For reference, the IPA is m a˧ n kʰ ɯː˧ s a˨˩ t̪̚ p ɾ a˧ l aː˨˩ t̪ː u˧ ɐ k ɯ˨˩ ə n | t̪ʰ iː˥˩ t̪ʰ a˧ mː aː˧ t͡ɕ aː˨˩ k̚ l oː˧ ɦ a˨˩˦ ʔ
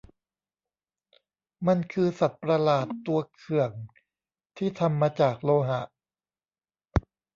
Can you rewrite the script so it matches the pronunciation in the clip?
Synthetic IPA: m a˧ n kʰ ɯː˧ s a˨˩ t̪̚ p ɾ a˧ l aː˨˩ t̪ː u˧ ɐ kʰ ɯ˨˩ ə ŋ | t̪ʰ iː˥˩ t̪ʰ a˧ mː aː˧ t͡ɕ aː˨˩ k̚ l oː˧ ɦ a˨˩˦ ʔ